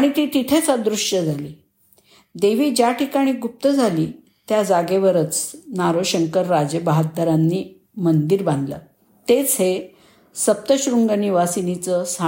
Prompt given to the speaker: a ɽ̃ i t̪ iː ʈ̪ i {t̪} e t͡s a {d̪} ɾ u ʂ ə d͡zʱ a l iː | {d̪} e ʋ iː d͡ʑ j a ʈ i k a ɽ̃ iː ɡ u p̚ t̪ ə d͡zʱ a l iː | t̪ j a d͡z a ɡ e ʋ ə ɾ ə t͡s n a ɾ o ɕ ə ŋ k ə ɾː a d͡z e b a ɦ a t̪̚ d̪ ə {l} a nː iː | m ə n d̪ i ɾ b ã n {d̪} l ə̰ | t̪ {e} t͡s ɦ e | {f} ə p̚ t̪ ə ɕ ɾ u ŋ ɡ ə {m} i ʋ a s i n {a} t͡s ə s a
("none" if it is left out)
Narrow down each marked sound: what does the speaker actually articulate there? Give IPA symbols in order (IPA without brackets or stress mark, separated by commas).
t̪ʰ, d̪, d̪, ɾ, d̪, e, s, n, i